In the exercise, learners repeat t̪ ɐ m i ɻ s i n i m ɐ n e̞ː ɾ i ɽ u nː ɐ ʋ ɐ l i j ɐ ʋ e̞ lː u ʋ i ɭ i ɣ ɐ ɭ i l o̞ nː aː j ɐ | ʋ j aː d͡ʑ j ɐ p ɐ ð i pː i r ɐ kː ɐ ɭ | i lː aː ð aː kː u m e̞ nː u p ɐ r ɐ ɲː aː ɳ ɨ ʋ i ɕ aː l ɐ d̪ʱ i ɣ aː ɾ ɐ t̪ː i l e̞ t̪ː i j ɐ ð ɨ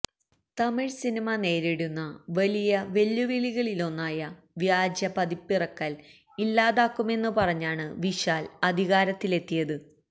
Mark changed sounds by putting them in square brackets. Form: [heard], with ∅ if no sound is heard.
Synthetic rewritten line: t̪ ɐ m i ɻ s i n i m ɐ n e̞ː ɾ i ɽ u nː ɐ ʋ ɐ l i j ɐ ʋ e̞ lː u ʋ i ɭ i ɣ ɐ ɭ i l o̞ nː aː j ɐ | ʋ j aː d͡ʑ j ɐ p ɐ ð i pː i r ɐ kː ɐ [l] | i lː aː ð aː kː u m e̞ nː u p ɐ r ɐ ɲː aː ɳ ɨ ʋ i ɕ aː l ɐ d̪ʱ i ɣ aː ɾ ɐ t̪ː i l e̞ t̪ː i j ɐ ð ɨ